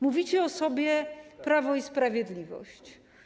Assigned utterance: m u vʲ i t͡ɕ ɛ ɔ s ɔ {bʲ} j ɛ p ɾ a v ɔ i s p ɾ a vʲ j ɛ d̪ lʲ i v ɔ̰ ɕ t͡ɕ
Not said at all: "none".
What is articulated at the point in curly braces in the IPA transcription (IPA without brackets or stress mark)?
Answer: bʲ